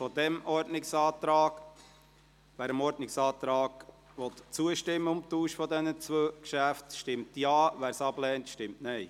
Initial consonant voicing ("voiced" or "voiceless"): voiceless